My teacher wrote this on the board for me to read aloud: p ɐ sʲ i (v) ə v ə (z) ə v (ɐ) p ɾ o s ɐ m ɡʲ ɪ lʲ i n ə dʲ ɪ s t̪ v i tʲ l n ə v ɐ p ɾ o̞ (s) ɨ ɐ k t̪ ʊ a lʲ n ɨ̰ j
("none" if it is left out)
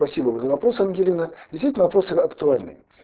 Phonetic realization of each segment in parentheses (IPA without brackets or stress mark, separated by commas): b, z, ɐ, s